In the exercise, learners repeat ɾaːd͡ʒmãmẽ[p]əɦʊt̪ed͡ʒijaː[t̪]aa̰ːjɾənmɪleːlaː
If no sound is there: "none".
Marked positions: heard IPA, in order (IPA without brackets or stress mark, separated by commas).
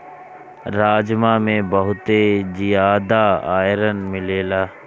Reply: b, d̪